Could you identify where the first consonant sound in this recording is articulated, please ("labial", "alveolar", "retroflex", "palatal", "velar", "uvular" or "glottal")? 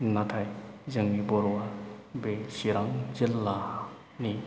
alveolar